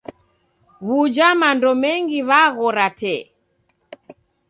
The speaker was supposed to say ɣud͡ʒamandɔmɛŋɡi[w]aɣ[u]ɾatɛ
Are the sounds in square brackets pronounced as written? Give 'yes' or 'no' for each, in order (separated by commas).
no, no